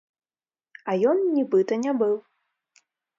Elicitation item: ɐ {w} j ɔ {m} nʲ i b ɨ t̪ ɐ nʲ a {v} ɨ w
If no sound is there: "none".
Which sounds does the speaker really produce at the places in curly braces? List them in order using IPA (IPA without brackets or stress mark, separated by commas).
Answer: none, n, b